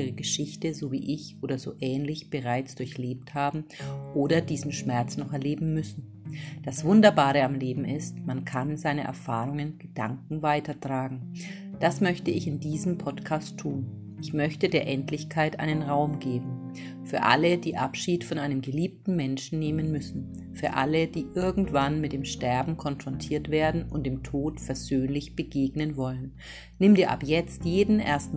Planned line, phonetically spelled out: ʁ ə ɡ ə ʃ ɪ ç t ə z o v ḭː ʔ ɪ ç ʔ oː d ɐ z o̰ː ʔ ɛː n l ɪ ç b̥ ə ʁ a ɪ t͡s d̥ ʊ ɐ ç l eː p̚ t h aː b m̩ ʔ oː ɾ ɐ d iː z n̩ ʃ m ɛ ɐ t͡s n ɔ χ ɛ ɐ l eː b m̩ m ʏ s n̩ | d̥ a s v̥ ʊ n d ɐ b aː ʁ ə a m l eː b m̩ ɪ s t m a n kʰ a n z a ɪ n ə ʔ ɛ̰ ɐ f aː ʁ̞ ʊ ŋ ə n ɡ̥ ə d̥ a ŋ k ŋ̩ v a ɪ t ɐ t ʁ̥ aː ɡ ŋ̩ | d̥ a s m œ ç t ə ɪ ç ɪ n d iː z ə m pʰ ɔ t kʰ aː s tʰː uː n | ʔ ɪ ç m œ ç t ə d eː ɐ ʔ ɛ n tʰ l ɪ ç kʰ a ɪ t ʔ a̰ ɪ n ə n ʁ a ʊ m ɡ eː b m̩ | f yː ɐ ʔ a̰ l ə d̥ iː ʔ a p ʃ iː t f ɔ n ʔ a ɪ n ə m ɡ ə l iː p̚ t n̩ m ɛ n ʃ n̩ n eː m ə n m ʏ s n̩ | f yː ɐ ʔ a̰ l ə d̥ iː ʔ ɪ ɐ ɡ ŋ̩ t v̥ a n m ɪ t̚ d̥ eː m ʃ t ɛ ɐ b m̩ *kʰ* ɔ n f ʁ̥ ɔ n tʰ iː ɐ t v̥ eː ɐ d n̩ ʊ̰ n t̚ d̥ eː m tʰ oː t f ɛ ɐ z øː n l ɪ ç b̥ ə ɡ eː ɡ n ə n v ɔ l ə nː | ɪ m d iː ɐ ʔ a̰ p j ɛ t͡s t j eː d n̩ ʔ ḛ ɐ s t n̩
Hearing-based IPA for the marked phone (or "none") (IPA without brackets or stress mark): kʰ